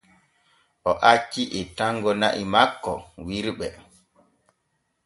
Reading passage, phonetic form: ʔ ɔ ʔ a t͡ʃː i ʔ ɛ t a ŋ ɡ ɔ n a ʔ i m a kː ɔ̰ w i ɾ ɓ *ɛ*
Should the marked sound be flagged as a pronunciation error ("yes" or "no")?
no